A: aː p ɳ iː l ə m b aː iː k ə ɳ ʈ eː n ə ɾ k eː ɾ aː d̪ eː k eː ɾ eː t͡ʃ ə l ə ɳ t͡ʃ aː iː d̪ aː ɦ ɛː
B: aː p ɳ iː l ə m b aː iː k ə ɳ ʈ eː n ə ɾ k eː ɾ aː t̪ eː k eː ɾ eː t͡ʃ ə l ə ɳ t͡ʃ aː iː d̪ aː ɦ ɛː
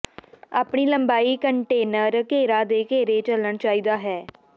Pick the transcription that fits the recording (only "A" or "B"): A